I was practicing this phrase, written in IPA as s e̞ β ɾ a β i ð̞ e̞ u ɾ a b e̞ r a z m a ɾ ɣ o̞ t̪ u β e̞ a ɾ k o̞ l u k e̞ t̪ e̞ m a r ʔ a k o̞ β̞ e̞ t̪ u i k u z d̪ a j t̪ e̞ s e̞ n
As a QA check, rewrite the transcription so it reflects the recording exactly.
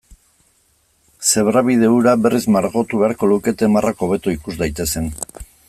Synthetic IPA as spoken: s e̞ β ɾ a β i ð̞ e̞ u ɾ a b e̞ r i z m a ɾ ɣ o̞ t̪ u β e̞ a ɾ k o̞ l u k e̞ t̪ e̞ m a r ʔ a k o̞ β̞ e̞ t̪ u i k u z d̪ a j t̪ e̞ s e̞ n